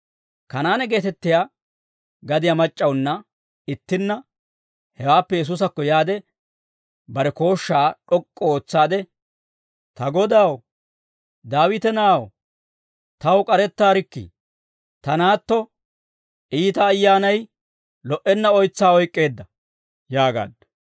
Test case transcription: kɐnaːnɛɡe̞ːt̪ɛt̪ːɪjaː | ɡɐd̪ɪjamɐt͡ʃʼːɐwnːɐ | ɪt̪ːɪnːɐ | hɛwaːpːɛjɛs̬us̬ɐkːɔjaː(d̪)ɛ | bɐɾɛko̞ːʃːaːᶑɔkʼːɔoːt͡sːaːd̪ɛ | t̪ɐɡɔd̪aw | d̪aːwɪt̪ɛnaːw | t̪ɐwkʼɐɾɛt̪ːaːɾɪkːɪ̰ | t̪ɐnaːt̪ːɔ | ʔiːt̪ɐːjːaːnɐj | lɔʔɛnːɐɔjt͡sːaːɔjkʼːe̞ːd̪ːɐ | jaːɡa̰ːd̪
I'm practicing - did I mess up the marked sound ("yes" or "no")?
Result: no